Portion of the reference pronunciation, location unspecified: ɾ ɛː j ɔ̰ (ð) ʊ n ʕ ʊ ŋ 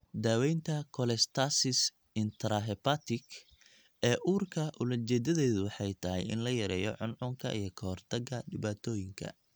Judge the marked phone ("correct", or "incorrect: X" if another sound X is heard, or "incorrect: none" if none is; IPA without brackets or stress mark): incorrect: ʕ